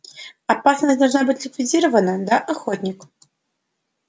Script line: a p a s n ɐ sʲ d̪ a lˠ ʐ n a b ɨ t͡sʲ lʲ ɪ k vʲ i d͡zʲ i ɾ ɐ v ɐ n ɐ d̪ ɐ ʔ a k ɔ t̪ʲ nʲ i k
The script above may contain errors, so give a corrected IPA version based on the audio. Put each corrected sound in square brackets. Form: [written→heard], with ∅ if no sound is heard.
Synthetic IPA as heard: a p a s n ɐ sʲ d̪ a lˠ ʐ n a b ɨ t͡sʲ lʲ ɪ k vʲ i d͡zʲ i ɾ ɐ v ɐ n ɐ d̪ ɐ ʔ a [k→x] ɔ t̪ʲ nʲ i k